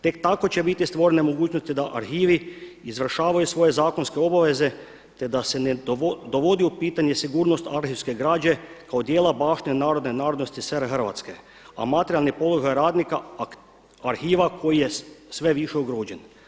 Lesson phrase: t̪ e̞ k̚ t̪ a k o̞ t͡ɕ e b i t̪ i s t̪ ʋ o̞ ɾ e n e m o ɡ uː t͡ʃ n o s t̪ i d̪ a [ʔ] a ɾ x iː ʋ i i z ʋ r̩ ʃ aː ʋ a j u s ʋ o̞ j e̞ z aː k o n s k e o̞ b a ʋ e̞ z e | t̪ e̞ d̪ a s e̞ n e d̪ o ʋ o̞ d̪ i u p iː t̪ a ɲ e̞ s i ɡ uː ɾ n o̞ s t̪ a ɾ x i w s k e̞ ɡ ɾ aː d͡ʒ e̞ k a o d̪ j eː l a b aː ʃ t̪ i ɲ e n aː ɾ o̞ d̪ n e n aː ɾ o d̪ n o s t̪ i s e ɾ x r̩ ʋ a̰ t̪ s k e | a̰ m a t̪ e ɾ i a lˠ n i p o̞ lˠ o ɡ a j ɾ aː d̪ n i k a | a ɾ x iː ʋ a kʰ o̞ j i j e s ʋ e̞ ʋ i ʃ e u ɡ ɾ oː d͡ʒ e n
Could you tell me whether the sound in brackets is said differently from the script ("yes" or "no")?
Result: no